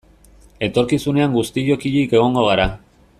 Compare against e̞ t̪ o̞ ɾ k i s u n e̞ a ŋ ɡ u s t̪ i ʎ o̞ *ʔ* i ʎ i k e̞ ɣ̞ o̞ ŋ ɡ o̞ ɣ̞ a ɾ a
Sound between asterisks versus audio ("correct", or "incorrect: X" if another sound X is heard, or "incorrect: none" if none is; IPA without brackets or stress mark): incorrect: k